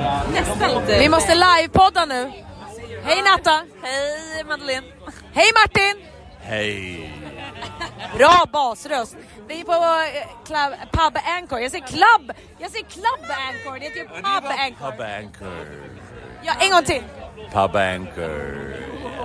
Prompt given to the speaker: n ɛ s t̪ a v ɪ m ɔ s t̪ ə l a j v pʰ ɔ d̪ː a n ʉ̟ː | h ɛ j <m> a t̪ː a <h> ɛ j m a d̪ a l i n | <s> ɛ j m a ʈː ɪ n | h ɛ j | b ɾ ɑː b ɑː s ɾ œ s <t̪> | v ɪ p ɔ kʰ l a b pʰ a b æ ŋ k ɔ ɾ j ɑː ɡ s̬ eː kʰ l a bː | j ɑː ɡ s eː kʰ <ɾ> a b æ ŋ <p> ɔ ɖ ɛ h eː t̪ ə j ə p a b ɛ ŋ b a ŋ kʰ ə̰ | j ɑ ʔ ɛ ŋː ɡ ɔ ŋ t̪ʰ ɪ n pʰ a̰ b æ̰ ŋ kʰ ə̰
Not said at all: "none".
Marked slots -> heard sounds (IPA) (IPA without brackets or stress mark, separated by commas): n, h, h, t̪, l, k